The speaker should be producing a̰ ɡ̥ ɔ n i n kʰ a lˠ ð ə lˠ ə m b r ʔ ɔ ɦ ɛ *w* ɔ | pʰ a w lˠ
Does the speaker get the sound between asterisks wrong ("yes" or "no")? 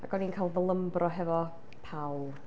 yes